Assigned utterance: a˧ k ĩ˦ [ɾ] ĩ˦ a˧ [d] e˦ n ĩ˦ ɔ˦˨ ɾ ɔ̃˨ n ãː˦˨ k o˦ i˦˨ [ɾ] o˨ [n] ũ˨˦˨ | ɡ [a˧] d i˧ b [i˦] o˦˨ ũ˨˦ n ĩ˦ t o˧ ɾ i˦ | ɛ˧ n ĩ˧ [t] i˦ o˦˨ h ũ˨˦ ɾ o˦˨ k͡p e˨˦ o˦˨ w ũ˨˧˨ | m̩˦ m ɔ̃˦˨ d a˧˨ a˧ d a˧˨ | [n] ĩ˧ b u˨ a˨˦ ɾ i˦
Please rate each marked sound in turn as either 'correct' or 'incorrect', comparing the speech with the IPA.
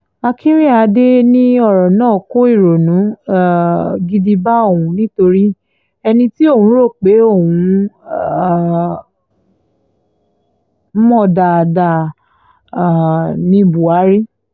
correct, correct, correct, correct, incorrect: i˧, incorrect: a˦, correct, correct

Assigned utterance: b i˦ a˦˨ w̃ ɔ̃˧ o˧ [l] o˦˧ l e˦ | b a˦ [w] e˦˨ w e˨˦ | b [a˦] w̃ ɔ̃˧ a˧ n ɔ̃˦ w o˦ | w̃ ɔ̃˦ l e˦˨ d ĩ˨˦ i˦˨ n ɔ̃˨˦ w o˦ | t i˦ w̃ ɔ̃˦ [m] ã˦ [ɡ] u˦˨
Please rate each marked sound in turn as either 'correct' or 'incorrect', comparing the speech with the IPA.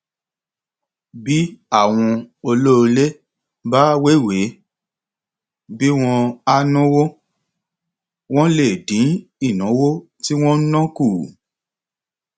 correct, correct, incorrect: i˦, incorrect: n, incorrect: k

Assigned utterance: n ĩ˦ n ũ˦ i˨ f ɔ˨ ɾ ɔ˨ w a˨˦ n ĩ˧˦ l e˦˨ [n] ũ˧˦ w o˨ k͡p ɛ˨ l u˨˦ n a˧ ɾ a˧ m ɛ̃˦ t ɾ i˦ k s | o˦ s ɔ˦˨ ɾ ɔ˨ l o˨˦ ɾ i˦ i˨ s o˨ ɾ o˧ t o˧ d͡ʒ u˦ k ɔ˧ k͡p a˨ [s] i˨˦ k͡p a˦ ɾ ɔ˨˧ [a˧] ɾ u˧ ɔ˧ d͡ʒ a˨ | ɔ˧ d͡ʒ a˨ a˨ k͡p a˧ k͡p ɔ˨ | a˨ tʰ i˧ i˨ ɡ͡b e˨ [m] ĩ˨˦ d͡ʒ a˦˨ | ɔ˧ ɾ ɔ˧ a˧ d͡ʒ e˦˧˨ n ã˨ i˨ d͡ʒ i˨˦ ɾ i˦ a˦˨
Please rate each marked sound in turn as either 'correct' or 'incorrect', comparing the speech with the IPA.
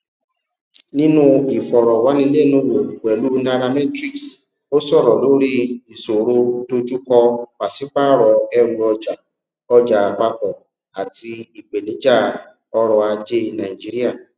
correct, correct, incorrect: ɛ˧, incorrect: n

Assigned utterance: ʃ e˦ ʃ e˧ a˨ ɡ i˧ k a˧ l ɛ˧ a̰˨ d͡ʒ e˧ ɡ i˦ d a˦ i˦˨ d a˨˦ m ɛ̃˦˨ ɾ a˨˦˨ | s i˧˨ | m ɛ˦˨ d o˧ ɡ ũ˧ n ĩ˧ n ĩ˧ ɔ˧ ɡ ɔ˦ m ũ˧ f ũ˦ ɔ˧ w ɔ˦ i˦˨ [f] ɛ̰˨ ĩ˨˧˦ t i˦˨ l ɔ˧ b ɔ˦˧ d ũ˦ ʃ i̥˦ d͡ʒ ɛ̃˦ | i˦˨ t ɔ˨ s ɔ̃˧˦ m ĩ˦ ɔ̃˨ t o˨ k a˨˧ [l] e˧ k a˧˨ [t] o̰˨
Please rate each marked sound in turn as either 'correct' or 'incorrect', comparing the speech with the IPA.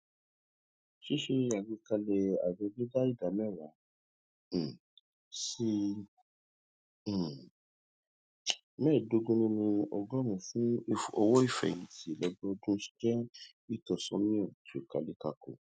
correct, correct, incorrect: k

